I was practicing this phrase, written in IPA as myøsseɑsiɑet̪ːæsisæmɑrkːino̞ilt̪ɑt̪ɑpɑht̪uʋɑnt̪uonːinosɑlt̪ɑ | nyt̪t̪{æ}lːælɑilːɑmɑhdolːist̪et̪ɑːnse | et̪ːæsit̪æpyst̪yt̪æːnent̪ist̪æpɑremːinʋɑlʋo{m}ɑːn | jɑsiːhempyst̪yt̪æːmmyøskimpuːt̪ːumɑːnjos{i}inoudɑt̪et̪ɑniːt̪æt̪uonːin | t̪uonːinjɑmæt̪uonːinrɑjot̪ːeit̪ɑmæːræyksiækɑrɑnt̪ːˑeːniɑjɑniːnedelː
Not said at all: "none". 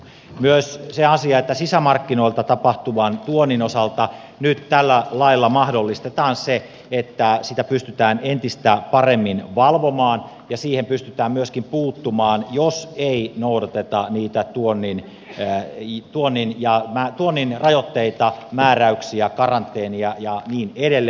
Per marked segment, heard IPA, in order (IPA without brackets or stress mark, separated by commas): æ, m, e